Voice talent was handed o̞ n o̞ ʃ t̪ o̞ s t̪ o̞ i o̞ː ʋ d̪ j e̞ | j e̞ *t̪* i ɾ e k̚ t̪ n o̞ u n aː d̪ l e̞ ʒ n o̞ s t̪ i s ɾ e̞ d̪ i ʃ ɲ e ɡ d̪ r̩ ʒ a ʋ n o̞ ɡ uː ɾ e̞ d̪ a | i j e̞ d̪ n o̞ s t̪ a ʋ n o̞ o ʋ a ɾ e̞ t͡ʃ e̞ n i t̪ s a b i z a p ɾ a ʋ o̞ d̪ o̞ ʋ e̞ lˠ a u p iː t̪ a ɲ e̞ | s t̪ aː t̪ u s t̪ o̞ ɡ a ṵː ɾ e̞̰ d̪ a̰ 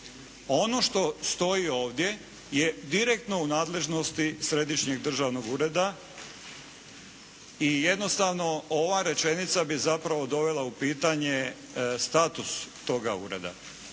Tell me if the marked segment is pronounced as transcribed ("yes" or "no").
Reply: no